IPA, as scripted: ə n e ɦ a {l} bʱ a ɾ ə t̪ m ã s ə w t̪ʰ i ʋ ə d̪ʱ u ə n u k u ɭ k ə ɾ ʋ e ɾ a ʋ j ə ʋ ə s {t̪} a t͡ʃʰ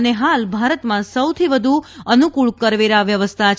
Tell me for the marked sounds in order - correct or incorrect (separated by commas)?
correct, incorrect